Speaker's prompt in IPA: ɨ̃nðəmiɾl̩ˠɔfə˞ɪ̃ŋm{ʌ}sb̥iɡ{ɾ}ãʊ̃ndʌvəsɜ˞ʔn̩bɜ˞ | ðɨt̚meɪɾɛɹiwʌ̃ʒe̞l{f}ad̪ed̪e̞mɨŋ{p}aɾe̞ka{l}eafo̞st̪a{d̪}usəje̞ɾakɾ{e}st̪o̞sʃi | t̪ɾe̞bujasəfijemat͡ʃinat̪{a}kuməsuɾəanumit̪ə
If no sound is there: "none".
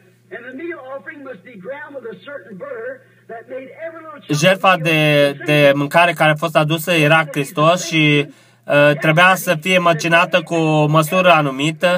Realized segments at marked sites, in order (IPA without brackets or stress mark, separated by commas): ʌ, ɹ, f, k, ɾ, d̪, i, ə